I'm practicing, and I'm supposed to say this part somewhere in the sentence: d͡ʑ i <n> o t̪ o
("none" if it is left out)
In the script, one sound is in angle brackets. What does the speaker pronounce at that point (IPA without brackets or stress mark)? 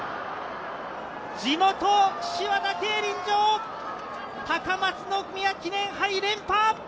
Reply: m